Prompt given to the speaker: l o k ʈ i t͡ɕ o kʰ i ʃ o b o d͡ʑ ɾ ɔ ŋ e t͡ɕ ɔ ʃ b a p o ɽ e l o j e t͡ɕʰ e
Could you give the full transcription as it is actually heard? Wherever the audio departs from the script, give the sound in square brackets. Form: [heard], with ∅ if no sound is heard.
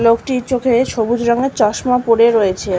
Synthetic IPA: l o k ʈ i t͡ɕ o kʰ [e] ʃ o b [u] d͡ʑ ɾ ɔ ŋ e t͡ɕ ɔ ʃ [m] a p o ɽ e [ɾ] o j e t͡ɕʰ e